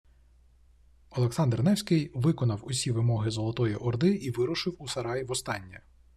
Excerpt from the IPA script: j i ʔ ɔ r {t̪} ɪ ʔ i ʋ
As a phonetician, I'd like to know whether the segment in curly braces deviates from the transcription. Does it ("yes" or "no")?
yes